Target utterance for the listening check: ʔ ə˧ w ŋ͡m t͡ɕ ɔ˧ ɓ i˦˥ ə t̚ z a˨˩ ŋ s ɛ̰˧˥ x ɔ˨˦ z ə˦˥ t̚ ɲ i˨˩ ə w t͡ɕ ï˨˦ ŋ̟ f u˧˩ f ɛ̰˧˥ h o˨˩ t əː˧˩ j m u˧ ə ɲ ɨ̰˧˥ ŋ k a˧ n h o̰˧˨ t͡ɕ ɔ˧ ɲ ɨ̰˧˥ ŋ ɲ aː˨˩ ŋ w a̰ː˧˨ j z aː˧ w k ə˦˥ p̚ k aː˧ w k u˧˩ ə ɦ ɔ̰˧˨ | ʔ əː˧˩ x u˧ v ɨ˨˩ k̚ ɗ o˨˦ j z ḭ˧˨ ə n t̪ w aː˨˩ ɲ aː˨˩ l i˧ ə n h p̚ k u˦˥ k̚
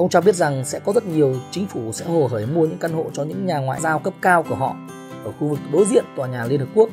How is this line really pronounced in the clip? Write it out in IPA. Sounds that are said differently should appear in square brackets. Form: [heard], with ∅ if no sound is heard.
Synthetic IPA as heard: ʔ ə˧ w ŋ͡m t͡ɕ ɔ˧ ɓ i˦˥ ə t̚ z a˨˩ ŋ s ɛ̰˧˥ [k] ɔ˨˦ z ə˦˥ t̚ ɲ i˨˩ ə w t͡ɕ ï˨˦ ŋ̟ f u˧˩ [s] ɛ̰˧˥ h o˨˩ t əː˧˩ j m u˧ ə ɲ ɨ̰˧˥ ŋ k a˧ n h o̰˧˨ t͡ɕ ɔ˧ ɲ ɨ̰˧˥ ŋ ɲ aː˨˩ ŋ w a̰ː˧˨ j z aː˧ w k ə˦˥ p̚ k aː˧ w k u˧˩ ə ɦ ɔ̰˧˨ | ʔ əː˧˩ x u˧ v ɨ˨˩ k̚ ɗ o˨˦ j z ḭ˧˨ ə n t̪ w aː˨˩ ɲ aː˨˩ l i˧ ə n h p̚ k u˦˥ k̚